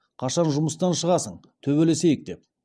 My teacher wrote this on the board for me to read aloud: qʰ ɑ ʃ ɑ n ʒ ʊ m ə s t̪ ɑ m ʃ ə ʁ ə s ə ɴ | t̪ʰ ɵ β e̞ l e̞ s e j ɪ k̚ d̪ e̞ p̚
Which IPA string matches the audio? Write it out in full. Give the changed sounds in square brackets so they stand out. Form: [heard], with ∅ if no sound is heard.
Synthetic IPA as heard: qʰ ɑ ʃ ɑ n ʒ ʊ m ə s t̪ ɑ [n] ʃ ə ʁ [ɑ] s ə ɴ | t̪ʰ ɵ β e̞ l e̞ s e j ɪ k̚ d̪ e̞ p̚